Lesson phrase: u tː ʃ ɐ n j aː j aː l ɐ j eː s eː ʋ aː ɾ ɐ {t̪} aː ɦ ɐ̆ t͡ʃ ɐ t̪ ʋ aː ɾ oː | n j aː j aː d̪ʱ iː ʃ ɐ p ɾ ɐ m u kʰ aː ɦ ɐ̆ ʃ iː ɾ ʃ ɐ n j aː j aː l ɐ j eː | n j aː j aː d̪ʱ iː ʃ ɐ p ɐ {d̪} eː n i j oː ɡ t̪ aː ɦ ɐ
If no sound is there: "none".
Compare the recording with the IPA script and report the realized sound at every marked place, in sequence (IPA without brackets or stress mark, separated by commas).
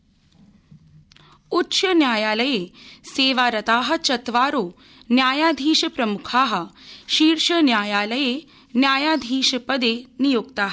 t̪, d̪